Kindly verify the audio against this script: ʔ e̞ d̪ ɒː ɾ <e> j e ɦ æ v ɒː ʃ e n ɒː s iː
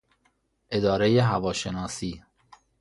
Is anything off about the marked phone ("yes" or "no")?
no